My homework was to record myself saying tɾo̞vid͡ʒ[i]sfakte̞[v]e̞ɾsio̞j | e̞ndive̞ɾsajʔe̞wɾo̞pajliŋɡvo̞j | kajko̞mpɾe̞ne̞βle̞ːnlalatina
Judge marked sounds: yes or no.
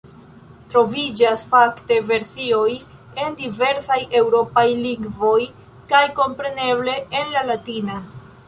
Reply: no, yes

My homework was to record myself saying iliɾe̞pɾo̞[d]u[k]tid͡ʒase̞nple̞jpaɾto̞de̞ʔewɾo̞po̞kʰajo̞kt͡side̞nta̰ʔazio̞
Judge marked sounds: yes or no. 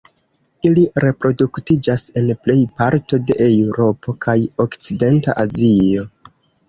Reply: yes, yes

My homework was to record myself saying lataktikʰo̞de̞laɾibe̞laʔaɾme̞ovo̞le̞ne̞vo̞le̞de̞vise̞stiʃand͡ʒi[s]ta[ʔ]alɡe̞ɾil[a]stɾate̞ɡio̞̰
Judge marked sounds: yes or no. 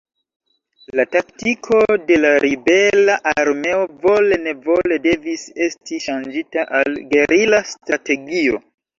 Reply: no, yes, yes

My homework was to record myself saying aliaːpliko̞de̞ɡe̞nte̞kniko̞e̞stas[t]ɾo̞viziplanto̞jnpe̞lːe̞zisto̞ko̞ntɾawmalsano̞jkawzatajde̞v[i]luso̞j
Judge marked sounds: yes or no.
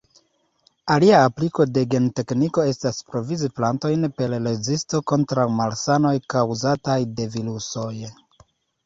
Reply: no, yes

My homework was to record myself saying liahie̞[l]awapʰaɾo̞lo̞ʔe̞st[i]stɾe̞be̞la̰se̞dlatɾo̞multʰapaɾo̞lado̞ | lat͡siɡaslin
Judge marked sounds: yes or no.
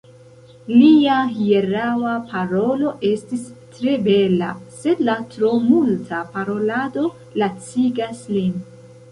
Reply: no, yes

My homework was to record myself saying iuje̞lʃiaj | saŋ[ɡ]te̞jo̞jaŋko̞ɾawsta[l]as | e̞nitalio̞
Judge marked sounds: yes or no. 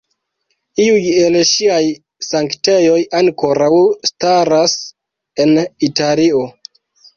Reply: no, no

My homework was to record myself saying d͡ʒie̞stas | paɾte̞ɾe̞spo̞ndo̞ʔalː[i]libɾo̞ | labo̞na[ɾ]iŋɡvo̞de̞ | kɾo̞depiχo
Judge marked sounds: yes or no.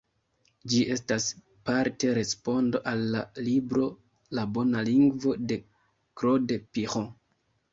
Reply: no, no

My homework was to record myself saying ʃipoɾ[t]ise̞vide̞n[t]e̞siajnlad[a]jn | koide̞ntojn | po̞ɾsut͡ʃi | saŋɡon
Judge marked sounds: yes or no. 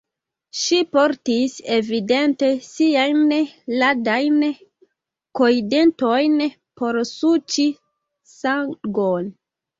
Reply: yes, yes, yes

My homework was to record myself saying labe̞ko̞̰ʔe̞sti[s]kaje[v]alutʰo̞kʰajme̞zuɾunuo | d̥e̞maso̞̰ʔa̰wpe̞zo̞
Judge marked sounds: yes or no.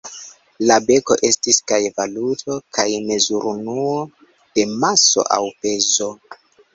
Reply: yes, yes

